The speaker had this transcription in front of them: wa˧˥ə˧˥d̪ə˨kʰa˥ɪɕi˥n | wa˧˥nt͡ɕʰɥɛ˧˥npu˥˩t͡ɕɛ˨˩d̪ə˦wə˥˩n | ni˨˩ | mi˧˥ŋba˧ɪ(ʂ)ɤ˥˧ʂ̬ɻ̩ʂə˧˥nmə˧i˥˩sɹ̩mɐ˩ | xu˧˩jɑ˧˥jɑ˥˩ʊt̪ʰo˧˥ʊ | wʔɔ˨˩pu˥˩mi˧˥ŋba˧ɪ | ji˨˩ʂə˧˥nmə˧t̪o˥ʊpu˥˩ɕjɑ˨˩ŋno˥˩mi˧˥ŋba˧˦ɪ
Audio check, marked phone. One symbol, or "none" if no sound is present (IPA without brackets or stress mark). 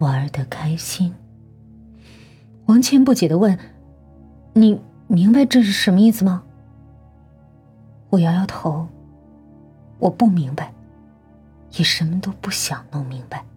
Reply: ʈ͡ʂ